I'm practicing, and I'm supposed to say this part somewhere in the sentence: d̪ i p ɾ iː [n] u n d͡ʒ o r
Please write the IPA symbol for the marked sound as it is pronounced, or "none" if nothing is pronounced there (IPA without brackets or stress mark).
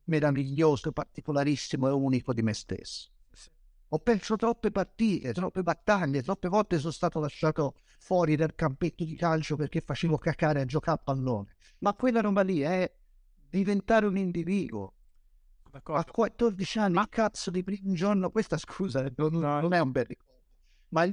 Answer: m